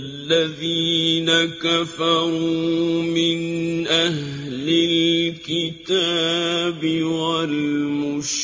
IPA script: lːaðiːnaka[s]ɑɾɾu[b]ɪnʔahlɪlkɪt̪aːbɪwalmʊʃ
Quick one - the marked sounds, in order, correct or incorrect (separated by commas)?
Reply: incorrect, incorrect